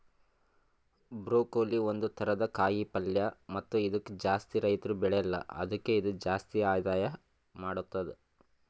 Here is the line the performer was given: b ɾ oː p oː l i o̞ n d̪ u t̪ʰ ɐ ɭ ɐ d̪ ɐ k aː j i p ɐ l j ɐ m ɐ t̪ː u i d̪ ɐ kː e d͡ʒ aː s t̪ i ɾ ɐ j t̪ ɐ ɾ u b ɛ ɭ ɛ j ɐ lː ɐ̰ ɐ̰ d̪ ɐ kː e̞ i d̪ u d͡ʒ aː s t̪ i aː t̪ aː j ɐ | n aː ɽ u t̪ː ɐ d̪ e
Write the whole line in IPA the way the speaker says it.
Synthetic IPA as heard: b ɾ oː k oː l i o̞ n d̪ u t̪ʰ ɐ ɾ ɐ d̪ ɐ k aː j i p ɐ l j ɐ m ɐ t̪ː u i d̪ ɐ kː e d͡ʒ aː s t̪ i ɾ ɐ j t̪ ɐ ɾ u b ɛ ɭ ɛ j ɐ lː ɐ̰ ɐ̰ d̪ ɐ kː e̞ i d̪ u d͡ʒ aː s t̪ i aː d̪ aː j ɐ | m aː ɽ u t̪ː ɐ d̪ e